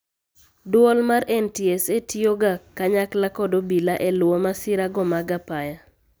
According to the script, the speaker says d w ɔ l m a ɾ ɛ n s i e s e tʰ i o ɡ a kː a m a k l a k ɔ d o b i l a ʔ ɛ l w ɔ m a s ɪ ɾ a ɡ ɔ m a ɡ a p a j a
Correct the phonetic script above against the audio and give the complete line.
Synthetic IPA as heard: d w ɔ l m a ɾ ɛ n t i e s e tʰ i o ɡ a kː a ɲ a k l a k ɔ d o b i l a ʔ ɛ l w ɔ m a s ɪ ɾ a ɡ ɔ m a ɡ a p a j a